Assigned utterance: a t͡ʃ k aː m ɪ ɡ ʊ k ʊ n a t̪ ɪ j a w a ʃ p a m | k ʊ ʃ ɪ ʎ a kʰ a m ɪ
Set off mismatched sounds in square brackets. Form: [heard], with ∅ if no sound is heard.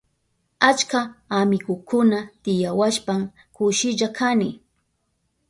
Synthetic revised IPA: a t͡ʃ k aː m ɪ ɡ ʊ k ʊ n a t̪ ɪ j a w a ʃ p a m | k ʊ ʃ ɪ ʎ a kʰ a [n] ɪ